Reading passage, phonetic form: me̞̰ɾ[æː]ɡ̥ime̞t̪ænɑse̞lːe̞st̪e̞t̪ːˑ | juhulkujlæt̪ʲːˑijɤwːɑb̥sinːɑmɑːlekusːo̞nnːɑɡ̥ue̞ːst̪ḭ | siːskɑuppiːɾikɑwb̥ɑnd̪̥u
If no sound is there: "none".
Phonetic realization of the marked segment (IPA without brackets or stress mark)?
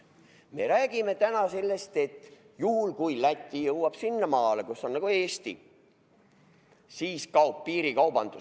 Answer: æː